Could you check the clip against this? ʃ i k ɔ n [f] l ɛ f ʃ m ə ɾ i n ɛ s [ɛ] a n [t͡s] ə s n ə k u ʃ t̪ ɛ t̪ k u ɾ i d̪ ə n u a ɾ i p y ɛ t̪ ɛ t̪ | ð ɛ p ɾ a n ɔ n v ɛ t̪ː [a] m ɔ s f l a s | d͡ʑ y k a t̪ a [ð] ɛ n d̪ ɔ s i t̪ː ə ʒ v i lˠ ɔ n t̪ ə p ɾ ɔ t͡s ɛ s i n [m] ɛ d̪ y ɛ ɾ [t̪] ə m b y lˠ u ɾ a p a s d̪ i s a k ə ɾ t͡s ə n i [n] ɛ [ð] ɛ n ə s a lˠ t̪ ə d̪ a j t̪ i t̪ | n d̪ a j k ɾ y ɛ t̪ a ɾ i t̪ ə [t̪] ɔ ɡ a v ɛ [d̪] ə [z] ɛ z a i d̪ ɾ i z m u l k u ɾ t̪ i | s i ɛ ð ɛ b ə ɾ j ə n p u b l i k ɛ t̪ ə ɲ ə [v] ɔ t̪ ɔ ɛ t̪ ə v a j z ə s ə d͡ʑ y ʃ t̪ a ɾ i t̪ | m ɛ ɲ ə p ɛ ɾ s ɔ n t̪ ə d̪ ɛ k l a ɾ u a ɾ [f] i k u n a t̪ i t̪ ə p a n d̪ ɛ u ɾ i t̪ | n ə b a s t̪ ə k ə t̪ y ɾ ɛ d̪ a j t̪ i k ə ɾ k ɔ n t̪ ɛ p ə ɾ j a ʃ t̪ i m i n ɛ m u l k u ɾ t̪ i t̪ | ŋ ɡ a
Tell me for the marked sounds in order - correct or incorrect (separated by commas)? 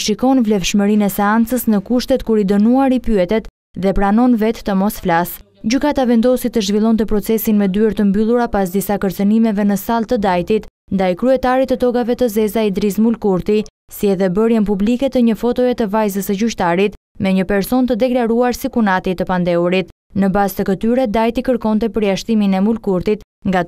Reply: incorrect, correct, correct, incorrect, incorrect, correct, correct, incorrect, incorrect, correct, incorrect, correct, incorrect, incorrect